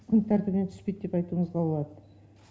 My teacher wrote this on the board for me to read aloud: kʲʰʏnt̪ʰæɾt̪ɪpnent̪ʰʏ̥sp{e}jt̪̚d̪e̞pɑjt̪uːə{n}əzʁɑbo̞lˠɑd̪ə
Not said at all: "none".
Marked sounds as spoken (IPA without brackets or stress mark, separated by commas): e, ɴ